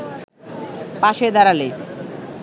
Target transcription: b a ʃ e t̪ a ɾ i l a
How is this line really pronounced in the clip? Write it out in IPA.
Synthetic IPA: p a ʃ e d̪ a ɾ a l e